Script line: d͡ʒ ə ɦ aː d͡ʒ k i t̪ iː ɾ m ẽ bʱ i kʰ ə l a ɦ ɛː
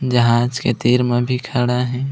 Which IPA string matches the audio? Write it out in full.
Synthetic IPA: d͡ʒ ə ɦ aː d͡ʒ k e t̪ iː ɾ m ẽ bʱ i kʰ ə ɽ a ɦ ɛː